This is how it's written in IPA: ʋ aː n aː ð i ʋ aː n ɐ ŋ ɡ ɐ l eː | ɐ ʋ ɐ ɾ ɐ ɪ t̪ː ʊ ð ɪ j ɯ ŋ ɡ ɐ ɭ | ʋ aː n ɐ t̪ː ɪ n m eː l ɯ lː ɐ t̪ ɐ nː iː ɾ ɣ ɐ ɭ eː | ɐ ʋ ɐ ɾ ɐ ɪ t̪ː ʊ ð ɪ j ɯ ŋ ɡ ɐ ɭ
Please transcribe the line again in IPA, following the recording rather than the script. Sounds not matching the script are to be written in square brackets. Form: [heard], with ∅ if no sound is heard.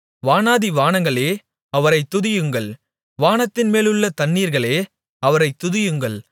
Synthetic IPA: ʋ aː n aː ð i ʋ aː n ɐ ŋ ɡ ɐ [ɭ] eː | ɐ ʋ ɐ ɾ ɐ ɪ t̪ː ʊ ð ɪ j ɯ ŋ ɡ ɐ ɭ | ʋ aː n ɐ t̪ː ɪ n m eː l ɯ [ɭː] ɐ t̪ ɐ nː iː ɾ ɣ ɐ ɭ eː | ɐ ʋ ɐ ɾ ɐ ɪ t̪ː ʊ ð ɪ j ɯ ŋ ɡ ɐ ɭ